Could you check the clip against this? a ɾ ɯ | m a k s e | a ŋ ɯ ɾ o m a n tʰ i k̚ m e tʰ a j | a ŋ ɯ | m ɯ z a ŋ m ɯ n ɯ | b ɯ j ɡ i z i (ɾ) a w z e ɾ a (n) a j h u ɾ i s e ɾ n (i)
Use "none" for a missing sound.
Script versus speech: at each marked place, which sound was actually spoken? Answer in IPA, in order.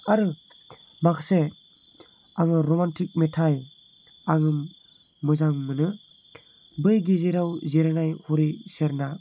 ɾ, n, a

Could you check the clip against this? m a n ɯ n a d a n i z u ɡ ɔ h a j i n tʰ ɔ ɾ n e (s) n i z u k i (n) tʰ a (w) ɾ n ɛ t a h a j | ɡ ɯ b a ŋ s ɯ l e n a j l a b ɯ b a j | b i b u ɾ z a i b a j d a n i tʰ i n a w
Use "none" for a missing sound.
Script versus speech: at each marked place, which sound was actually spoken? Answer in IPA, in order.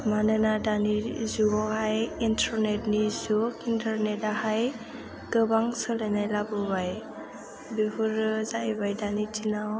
t, n, none

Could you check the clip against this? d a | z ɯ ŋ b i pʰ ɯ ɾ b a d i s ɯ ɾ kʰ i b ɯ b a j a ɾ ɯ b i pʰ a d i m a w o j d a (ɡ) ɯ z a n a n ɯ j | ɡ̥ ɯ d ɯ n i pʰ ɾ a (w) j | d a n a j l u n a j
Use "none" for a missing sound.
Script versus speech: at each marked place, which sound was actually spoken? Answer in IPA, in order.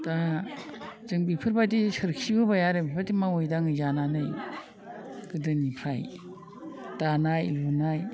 ŋ, none

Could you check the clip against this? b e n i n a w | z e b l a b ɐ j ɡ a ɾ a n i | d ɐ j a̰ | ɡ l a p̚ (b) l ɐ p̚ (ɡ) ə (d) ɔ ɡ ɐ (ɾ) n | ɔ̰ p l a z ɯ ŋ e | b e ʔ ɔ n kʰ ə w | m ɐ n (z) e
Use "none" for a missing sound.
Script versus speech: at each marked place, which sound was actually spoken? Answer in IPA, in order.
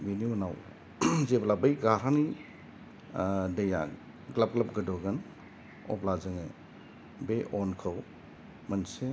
ɡ, ɡ, d, none, s

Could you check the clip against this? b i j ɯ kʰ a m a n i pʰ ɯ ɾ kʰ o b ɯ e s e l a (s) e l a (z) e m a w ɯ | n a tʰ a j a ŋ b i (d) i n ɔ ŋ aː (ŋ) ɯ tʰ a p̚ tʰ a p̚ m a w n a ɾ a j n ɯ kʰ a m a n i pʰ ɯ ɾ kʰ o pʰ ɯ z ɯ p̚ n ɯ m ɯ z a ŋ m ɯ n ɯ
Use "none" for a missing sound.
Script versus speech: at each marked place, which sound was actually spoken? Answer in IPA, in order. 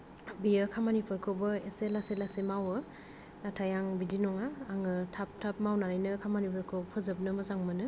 s, s, d, ŋ

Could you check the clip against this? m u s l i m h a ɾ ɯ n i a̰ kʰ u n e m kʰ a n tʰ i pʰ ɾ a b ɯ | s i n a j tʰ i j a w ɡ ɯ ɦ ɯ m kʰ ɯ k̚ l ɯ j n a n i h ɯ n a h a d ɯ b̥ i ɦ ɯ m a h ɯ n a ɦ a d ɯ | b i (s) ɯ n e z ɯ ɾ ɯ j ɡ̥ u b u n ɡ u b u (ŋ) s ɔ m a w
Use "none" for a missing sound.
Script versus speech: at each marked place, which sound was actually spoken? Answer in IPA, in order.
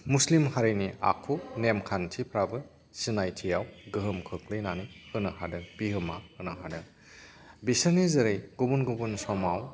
s, n

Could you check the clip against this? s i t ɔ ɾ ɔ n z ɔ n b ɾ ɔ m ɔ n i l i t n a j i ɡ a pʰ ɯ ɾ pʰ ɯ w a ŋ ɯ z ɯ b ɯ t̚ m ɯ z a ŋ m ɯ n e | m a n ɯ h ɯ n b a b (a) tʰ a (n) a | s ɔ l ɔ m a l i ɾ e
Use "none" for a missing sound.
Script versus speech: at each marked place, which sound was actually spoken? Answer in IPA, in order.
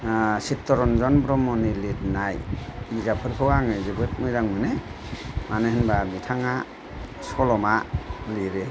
i, ŋ

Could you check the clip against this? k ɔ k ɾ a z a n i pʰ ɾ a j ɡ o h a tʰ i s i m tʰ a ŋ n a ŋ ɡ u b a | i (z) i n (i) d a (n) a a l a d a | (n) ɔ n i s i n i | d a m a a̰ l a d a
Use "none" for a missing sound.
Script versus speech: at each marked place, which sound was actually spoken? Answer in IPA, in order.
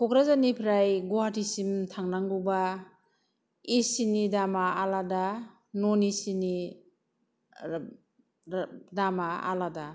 s, i, m, n

